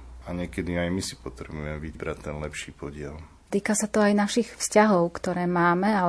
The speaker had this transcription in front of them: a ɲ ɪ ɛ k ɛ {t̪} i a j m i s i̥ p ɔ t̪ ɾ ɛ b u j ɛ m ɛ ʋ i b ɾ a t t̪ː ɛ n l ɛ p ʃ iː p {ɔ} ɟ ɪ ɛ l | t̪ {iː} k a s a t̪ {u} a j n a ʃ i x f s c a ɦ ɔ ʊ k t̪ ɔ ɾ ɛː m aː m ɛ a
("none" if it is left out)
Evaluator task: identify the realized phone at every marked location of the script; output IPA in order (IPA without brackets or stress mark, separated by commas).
d̪, ɔ, iː, ɔ